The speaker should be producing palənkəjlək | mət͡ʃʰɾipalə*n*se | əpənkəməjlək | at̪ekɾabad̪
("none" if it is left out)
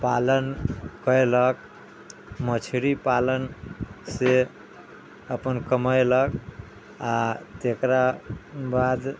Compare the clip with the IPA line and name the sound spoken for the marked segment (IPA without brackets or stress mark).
n